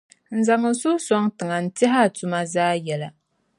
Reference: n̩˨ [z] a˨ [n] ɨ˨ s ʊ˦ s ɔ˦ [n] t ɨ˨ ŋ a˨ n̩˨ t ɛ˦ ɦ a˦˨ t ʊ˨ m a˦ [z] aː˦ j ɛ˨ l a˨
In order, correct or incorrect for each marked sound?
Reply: correct, incorrect: ŋ, incorrect: ŋ, correct

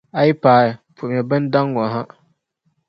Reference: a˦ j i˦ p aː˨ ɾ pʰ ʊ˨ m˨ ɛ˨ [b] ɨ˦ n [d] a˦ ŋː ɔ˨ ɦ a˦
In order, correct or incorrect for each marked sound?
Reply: correct, correct

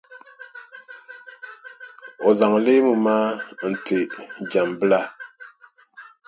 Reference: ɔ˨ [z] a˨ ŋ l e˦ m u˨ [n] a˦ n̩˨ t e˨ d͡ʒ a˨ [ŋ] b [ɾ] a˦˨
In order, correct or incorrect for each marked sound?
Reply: correct, incorrect: m, incorrect: m, incorrect: l

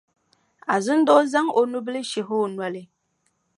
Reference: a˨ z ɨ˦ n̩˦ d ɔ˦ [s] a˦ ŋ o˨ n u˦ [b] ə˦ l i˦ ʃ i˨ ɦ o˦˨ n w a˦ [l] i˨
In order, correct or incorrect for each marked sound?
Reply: incorrect: z, correct, correct

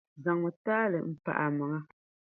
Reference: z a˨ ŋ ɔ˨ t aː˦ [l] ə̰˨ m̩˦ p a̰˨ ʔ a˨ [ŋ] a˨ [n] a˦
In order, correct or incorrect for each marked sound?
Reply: correct, incorrect: m, incorrect: ŋ

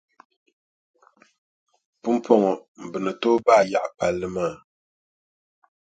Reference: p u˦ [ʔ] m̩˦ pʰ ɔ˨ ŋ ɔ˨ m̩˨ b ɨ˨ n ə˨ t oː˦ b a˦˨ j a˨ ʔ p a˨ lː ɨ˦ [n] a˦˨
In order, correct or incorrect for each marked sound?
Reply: incorrect: none, incorrect: m

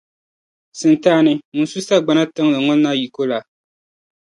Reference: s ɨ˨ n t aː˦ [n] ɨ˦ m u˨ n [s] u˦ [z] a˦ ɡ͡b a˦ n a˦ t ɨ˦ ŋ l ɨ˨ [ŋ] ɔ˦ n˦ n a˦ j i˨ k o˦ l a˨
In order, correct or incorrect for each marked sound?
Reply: correct, correct, incorrect: s, correct

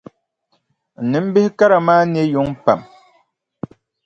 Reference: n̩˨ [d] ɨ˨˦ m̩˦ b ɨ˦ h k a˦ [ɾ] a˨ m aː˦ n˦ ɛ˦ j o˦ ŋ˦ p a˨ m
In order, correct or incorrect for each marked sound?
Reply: incorrect: n, correct

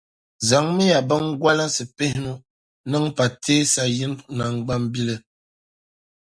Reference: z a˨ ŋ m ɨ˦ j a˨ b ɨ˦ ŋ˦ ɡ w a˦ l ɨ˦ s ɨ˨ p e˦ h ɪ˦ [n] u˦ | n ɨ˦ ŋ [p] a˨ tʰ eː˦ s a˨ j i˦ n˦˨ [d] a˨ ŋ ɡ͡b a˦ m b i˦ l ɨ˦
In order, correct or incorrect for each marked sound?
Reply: correct, correct, incorrect: n

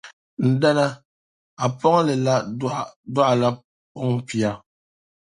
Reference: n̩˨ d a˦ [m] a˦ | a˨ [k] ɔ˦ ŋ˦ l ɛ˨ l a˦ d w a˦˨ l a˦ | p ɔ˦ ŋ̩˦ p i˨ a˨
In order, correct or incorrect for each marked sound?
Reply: incorrect: n, incorrect: p

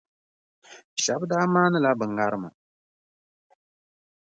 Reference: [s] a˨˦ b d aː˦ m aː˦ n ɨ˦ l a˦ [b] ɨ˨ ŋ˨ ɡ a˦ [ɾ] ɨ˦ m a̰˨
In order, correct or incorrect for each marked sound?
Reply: incorrect: ʃ, correct, correct

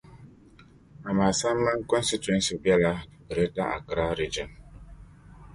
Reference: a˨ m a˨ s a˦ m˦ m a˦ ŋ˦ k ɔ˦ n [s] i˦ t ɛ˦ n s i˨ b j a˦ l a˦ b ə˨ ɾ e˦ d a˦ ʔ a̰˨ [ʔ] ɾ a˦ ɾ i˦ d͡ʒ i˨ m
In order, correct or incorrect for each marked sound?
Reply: correct, incorrect: k

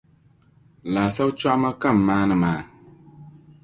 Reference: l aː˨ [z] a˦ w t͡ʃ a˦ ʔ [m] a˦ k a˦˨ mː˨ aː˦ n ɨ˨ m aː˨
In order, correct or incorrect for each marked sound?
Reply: incorrect: s, correct

